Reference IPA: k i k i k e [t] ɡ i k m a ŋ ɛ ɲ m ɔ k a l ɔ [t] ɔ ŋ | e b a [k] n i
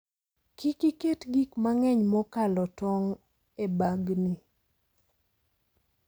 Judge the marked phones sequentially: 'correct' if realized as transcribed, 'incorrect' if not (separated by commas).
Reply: correct, correct, incorrect